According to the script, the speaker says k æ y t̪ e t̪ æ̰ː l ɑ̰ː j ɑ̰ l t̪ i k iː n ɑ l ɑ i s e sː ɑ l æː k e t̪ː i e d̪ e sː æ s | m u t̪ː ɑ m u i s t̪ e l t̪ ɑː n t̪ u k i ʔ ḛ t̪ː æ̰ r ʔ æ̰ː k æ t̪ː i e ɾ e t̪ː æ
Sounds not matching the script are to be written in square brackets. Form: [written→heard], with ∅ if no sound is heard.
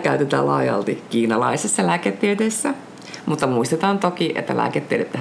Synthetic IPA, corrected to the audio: k æ y t̪ e t̪ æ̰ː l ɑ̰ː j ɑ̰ l t̪ i k iː n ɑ l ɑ i s e sː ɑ l æː k e t̪ː i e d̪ e sː æ [s→∅] | m u t̪ː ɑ m u i s t̪ e [l→∅] t̪ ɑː n t̪ [u→o] k i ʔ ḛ t̪ː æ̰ [r→l] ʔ æ̰ː k [æ→e] t̪ː i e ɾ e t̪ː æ